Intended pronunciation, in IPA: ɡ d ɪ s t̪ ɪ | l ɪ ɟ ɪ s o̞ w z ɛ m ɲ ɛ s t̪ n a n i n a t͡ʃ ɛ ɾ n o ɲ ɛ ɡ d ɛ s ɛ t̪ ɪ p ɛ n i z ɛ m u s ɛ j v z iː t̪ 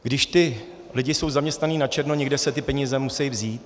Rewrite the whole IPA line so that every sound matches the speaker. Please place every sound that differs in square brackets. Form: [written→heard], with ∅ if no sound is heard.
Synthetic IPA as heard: ɡ d ɪ [s→ʃ] t̪ ɪ | l ɪ ɟ ɪ s o̞ w z [ɛ→a] m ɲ ɛ s t̪ n a n [i→iː] n a t͡ʃ ɛ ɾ n o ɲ ɛ ɡ d ɛ s ɛ t̪ ɪ p ɛ [n→ɲ] i z ɛ m u s ɛ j v z iː t̪